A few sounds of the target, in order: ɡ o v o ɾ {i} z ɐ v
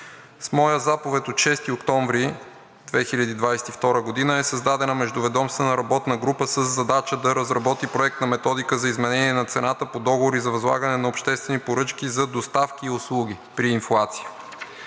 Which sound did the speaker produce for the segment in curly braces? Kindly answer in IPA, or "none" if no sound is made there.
i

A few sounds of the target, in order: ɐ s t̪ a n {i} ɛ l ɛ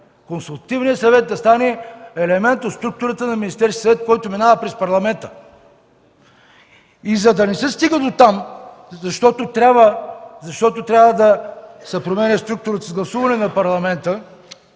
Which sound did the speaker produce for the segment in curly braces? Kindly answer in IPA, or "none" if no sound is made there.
ɛ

